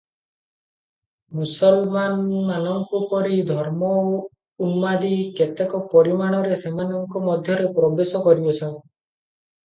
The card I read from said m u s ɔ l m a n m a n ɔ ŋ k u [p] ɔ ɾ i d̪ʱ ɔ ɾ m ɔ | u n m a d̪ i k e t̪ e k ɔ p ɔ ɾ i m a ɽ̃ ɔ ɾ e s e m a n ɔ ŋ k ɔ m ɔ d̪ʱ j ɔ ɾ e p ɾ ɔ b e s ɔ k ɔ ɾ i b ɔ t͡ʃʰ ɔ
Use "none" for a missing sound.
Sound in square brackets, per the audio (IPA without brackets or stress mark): p